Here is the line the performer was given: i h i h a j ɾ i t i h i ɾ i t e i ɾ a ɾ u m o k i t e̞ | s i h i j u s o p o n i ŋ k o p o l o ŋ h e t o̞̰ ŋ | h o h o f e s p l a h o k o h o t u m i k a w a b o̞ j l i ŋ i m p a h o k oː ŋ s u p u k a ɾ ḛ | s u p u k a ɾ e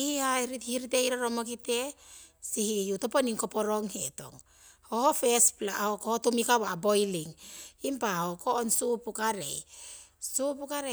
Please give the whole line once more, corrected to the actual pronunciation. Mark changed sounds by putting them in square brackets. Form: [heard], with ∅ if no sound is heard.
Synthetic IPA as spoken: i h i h a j ɾ i t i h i ɾ i t e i ɾ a ɾ [o] m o k i t e̞ | s i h i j u [t] o p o n i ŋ k o p o [ɾ] o ŋ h e t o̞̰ ŋ | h o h o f e s p l a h o k o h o t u m i k a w a b o̞ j l i ŋ i m p a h o k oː [n] s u p u k a ɾ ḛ | s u p u k a ɾ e